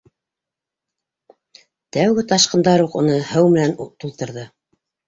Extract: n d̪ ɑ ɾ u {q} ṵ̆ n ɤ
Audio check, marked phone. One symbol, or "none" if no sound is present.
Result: q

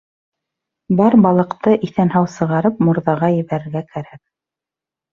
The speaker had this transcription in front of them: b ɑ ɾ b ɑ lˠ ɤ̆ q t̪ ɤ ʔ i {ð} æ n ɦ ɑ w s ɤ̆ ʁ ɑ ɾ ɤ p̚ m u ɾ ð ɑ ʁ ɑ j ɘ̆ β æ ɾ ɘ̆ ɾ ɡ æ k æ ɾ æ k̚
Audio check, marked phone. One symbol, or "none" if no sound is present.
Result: θ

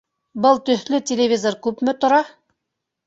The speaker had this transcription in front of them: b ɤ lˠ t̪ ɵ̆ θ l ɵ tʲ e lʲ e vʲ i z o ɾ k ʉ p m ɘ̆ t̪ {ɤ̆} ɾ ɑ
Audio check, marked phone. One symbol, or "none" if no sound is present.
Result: ŏ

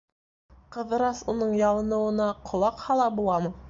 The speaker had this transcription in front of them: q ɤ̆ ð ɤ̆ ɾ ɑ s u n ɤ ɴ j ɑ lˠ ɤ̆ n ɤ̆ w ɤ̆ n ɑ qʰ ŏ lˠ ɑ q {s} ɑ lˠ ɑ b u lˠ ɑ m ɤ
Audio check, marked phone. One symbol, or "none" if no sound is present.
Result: h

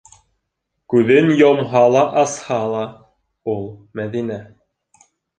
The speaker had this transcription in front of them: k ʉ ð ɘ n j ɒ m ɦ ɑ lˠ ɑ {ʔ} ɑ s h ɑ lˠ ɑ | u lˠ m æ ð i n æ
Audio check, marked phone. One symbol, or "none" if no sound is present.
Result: ʔ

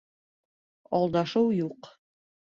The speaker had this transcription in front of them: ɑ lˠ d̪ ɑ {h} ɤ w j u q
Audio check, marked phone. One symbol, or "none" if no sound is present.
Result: ʃ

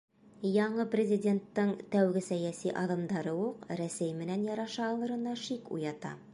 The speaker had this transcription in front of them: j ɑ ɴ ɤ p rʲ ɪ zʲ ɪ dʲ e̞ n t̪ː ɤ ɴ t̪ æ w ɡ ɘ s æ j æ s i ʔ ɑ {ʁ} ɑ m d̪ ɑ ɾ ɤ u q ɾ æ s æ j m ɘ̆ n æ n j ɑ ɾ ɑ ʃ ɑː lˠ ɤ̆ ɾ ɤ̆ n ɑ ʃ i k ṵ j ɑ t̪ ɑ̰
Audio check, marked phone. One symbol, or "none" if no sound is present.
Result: ð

